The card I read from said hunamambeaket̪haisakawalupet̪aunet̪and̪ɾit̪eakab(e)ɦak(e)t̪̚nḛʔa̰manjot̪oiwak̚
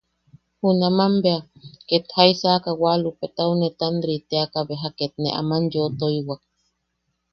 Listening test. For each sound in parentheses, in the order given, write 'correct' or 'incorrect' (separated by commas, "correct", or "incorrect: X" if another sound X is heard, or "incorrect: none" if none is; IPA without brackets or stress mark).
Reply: correct, correct